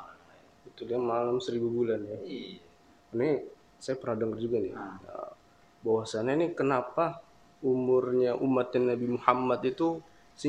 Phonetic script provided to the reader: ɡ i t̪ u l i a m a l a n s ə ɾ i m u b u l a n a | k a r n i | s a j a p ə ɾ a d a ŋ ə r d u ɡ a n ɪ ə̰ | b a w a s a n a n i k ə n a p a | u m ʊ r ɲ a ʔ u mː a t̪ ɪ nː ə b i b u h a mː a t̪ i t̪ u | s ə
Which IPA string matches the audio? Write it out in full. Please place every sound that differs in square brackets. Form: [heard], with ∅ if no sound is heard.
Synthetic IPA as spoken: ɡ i t̪ u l i a m a l a [m] s ə ɾ i [b] u b u l a n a | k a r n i | s a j a p ə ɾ a d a ŋ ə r [d͡ʒ] u ɡ a n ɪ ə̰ | b a w a s a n a n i k ə n a p a | u m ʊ r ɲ a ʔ u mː a t̪ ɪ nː [a] b i [m] u h a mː a t̪ i t̪ u | s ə